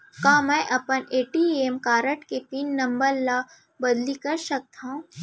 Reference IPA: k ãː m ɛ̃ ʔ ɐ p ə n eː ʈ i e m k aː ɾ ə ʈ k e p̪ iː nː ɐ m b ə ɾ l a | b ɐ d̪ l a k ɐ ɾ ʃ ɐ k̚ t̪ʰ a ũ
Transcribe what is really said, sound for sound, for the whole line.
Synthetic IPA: k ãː m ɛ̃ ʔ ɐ p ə n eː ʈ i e m k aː ɾ ə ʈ k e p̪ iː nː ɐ m b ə ɾ l a | b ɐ d̪ l i k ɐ ɾ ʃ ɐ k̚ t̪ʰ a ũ